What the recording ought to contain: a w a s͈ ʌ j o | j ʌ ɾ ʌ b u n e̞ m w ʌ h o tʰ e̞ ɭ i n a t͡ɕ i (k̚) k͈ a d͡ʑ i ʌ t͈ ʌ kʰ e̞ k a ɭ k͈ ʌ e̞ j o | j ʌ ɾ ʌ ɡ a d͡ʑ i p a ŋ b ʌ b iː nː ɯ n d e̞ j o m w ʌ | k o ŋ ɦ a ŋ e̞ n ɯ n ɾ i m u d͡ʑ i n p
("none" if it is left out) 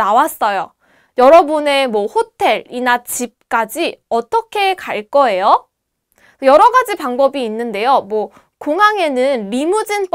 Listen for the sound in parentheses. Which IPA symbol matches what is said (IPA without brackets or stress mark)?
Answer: p̚